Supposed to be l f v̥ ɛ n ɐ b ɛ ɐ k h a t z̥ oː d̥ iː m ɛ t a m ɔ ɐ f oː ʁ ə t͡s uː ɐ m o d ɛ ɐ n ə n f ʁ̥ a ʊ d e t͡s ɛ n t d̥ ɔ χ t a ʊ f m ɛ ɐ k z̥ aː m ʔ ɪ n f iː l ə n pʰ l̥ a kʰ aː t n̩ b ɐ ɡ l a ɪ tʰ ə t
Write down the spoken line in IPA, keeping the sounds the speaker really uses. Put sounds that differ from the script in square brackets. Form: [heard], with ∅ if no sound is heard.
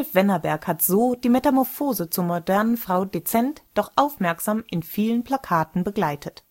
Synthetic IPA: l f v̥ ɛ n ɐ b ɛ ɐ k h a t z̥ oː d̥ iː m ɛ t a m ɔ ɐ f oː [z] ə t͡s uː ɐ m o d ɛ ɐ n ə n f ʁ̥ a ʊ d e t͡s ɛ n t d̥ ɔ χ [ʔ] a ʊ f m ɛ ɐ k z̥ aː m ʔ ɪ n f iː l ə n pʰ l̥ a kʰ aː t n̩ b [ə] ɡ l a ɪ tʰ ə t